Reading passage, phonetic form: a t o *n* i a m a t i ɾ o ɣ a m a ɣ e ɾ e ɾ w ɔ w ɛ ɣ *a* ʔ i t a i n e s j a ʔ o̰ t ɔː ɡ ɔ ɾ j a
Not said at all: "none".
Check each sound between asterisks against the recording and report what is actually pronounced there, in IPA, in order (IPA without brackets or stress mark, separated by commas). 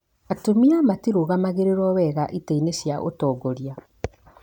m, a